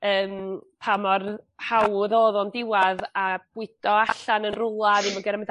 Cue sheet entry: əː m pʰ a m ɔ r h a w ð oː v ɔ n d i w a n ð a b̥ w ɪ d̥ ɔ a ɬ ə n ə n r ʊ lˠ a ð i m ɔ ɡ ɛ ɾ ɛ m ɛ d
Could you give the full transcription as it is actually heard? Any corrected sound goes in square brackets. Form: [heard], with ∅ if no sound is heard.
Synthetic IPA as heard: əː m pʰ a m ɔ r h a w ð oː [ð] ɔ n d [ɪ] w a [∅] ð a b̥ w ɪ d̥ ɔ a ɬ [a] n ə n r ʊ lˠ a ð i m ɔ ɡ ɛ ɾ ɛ m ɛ d